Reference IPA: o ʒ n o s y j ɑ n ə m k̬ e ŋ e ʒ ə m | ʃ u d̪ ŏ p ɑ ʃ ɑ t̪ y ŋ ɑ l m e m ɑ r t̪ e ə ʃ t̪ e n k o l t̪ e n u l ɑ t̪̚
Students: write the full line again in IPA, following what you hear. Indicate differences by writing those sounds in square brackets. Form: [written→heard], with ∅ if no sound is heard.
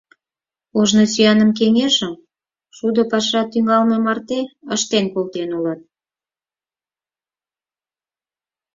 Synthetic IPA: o ʒ n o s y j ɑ n ə m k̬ e ŋ e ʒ ə m | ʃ u d̪ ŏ p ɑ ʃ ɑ t̪ y ŋ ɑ l m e m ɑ r t̪ e ə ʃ t̪ e n k o l t̪ e n u l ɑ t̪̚